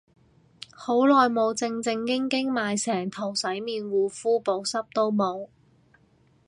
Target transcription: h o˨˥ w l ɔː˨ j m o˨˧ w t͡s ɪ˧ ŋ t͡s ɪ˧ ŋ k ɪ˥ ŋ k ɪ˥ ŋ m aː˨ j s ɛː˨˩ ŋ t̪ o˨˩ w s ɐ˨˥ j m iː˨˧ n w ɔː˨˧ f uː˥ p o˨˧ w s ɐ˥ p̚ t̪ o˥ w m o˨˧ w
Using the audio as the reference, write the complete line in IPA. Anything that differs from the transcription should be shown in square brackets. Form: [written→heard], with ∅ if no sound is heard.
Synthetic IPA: h o˨˥ w l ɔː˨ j m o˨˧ w t͡s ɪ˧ ŋ t͡s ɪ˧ ŋ k ɪ˥ ŋ k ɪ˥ ŋ m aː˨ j s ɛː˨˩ ŋ [t̪→t̪ʰ] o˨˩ w s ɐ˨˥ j m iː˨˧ n w [ɔː˨˧→uː˨˧] f uː˥ p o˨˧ w s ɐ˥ p̚ t̪ o˥ w m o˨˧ w